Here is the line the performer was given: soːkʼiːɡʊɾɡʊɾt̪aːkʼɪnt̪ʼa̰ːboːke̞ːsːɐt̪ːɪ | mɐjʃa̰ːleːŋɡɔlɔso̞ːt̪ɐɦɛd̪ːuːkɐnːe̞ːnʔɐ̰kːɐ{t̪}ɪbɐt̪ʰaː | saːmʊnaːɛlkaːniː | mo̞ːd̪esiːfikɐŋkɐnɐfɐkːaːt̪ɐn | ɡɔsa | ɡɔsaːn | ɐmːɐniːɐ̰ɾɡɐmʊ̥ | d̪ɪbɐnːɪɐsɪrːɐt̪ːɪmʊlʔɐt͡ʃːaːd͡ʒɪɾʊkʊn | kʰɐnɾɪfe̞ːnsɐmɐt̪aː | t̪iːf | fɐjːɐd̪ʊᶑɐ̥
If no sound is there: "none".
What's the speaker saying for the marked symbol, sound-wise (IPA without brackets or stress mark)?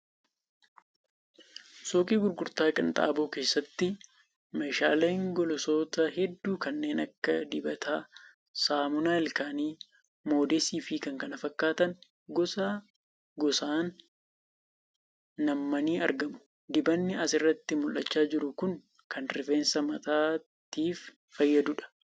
d̪